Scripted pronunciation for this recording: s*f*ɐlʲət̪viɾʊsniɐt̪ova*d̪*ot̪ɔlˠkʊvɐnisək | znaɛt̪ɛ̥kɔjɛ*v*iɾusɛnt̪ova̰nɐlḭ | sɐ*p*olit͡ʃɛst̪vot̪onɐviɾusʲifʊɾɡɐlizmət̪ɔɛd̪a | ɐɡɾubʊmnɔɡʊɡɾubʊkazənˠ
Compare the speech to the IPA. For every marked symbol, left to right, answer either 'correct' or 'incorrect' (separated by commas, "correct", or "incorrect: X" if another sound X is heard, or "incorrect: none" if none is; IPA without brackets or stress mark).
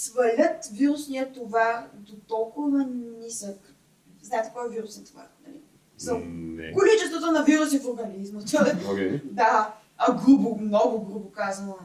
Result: incorrect: v, correct, correct, incorrect: k